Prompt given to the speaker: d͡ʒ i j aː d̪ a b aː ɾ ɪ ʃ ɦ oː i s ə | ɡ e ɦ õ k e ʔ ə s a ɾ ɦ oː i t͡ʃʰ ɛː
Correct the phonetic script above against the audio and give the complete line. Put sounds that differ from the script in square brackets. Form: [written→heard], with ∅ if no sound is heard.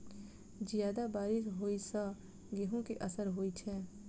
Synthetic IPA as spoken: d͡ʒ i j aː d̪ a b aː ɾ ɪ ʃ ɦ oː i s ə | ɡ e ɦ õ k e ʔ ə s [a→ə] ɾ ɦ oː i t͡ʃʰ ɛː